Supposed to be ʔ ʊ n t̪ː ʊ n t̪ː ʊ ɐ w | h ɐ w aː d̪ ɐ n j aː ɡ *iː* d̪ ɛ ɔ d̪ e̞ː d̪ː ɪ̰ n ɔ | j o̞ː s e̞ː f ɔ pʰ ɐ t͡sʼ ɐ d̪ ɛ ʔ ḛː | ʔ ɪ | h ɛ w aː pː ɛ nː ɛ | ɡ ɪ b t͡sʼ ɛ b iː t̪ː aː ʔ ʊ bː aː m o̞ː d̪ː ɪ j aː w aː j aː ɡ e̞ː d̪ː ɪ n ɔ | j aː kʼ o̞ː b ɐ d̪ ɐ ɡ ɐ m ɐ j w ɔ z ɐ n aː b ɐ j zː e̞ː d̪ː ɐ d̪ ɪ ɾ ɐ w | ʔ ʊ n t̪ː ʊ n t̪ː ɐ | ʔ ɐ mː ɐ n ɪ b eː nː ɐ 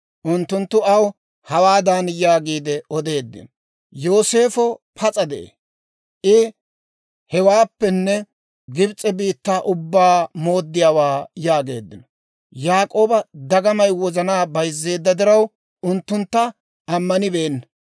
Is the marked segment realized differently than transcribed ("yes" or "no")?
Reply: no